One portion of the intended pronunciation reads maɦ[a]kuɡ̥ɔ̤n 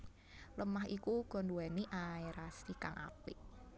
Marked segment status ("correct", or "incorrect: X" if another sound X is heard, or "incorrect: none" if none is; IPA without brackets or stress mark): incorrect: i